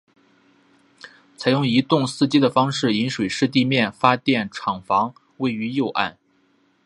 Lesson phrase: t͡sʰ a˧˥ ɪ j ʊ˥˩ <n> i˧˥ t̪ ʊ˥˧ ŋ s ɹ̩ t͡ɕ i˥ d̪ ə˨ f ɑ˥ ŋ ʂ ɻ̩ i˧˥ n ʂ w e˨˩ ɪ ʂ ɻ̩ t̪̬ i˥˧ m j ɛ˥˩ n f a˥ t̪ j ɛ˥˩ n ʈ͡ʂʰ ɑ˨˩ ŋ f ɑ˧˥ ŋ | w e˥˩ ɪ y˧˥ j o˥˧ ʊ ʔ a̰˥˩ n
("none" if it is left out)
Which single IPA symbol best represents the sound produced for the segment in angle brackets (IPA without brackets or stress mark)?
ŋ